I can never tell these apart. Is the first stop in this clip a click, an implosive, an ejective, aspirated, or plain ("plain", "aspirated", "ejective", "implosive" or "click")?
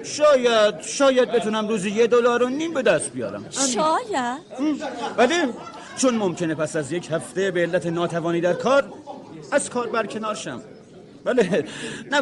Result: plain